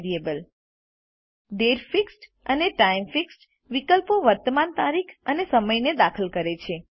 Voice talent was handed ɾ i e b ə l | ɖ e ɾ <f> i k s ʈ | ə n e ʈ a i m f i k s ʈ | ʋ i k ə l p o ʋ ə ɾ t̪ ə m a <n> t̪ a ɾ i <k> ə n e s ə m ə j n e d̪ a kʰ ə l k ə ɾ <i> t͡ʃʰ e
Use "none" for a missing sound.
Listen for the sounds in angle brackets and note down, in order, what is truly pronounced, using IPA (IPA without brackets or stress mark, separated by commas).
f, n, kʰ, e